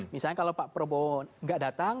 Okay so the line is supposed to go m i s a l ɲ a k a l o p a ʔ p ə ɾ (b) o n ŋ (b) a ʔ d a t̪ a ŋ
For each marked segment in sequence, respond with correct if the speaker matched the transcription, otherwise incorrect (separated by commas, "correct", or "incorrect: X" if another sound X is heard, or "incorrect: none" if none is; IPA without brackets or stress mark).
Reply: correct, incorrect: ɡ